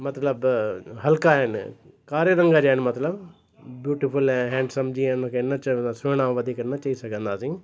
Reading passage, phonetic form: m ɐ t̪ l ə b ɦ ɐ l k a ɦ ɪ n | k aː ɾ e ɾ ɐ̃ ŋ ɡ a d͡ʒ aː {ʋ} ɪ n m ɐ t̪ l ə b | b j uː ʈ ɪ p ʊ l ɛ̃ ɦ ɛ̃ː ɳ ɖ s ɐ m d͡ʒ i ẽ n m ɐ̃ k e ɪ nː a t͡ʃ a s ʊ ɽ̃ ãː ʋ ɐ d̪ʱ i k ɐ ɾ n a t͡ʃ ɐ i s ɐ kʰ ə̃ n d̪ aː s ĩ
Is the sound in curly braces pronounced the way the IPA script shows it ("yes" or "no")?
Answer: no